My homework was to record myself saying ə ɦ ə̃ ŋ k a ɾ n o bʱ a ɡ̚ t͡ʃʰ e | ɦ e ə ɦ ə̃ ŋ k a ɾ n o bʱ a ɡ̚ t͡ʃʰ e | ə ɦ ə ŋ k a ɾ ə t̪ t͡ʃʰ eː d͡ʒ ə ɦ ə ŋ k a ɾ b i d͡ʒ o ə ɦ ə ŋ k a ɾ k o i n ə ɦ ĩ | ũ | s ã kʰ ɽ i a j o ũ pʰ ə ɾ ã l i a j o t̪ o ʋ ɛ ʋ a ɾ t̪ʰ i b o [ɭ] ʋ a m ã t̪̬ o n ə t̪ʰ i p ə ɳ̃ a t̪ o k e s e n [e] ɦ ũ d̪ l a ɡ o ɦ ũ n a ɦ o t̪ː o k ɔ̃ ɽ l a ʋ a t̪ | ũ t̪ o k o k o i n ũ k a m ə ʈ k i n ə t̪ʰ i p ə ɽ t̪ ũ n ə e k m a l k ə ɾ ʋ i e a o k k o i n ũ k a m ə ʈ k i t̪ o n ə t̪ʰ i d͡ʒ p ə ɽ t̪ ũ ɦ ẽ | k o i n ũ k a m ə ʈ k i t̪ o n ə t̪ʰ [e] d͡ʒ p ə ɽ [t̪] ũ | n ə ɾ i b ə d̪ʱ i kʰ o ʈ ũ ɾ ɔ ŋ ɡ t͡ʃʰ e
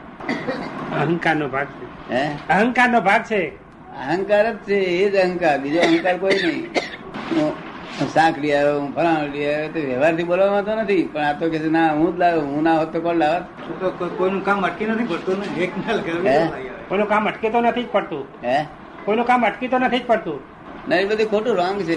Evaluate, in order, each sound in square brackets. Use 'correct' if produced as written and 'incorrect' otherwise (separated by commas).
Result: incorrect, incorrect, incorrect, correct